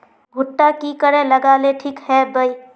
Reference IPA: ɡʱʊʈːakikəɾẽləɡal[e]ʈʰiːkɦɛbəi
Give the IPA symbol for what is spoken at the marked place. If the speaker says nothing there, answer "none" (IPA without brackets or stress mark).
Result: e